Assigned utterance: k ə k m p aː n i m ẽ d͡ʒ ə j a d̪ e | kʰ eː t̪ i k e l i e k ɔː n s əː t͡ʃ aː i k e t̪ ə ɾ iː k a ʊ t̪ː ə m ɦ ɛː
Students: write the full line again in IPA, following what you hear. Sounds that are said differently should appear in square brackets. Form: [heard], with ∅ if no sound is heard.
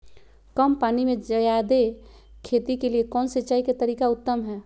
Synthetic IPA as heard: k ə [∅] m p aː n i m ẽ d͡ʒ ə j a d̪ e | kʰ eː t̪ i k e l i e k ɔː n s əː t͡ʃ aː i k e t̪ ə ɾ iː k a ʊ t̪ː ə m ɦ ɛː